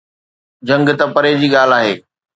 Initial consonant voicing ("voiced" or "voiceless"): voiced